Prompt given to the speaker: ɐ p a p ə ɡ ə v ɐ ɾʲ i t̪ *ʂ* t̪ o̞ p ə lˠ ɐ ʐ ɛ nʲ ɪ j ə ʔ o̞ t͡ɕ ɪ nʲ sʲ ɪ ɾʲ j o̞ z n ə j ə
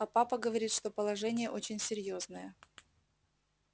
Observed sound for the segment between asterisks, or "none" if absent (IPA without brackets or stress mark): ʂ